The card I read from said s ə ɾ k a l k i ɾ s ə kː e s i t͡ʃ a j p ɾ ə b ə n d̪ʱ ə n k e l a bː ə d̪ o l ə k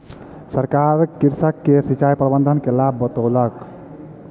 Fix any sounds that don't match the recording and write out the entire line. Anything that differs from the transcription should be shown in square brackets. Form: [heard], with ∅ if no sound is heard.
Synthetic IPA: s ə ɾ k a [ɾ] k i ɾ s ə kː e s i t͡ʃ a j p ɾ ə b ə n d̪ʱ ə n k e l a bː ə [t̪] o l ə k